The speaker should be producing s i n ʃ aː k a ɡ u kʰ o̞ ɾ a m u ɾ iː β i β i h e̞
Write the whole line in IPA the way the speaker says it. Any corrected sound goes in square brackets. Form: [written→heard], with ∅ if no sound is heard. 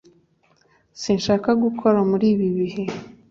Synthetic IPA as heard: s i n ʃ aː k a ɡ u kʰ o̞ ɾ a m u ɾ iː β i β i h e̞